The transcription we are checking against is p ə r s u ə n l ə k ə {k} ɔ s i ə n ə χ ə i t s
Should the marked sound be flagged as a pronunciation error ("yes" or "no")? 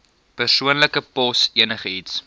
yes